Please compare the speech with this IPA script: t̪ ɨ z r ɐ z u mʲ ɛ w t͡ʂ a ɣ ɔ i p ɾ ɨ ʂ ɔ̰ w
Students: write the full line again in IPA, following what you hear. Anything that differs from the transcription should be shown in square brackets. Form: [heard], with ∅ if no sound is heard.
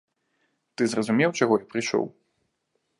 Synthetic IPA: t̪ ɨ z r ɐ z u mʲ ɛ w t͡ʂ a ɣ ɔ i p ɾ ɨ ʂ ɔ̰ w